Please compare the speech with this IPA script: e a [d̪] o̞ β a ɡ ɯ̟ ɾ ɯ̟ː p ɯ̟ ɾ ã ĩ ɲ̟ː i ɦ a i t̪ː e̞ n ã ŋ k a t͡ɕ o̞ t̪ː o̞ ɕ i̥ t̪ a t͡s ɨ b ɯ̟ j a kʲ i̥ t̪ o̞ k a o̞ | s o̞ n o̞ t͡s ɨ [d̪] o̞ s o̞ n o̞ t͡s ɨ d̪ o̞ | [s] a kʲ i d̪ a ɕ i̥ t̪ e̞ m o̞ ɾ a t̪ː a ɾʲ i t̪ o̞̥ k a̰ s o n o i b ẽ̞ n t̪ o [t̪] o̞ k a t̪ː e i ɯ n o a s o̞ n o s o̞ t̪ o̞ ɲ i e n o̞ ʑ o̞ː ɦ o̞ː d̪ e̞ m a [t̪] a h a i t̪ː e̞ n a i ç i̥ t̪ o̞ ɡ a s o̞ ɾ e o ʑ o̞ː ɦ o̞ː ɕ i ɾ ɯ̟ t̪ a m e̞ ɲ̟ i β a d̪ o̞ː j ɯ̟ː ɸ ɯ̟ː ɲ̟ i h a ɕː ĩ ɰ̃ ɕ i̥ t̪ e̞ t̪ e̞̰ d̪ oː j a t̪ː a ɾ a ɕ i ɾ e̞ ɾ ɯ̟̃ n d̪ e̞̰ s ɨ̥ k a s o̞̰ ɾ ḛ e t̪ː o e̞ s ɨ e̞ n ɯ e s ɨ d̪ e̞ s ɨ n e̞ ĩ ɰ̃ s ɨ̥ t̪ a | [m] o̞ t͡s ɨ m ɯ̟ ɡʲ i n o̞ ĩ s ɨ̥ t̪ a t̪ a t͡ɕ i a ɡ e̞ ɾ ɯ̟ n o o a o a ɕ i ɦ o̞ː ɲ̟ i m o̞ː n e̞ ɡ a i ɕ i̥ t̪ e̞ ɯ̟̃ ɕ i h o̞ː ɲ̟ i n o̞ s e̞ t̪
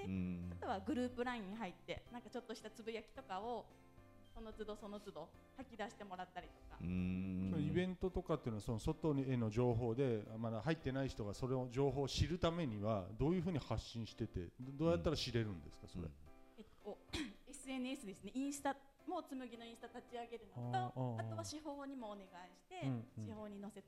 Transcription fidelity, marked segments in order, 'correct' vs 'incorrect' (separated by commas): incorrect, correct, incorrect, correct, incorrect, correct